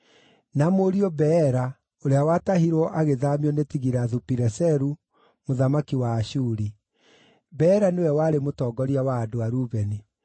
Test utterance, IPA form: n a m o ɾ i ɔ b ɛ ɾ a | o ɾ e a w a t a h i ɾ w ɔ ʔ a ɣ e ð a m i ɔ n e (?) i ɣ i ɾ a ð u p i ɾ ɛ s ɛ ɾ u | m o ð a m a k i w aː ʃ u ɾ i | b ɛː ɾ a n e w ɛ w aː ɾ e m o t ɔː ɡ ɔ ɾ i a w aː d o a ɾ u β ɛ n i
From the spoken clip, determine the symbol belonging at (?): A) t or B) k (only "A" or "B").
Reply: A